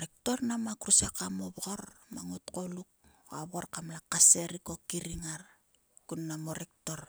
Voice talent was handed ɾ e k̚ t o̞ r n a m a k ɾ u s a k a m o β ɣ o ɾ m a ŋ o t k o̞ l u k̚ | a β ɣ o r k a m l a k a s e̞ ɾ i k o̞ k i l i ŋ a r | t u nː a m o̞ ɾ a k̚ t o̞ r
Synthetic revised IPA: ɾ e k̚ t o̞ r n a m a k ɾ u s a k a m o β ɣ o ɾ m a ŋ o t k o̞ l u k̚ | a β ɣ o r k a m l a k a s e̞ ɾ i k o̞ k i ɾ i ŋ a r | k u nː a m o̞ ɾ e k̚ t o̞ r